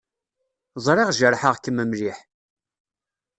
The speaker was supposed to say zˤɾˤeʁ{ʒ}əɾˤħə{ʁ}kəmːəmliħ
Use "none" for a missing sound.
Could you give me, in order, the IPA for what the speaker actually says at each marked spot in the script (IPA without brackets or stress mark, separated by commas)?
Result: ʒ, ʁ